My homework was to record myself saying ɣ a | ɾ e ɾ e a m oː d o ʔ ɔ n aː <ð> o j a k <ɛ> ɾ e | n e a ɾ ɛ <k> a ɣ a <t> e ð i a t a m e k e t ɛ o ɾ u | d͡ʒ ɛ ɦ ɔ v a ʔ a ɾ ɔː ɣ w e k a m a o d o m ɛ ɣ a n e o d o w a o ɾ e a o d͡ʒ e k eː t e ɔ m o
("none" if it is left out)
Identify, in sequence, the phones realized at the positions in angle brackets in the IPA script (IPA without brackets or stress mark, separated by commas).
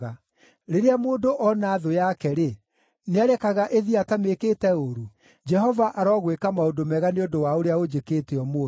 ð, ɛ, k, ʔ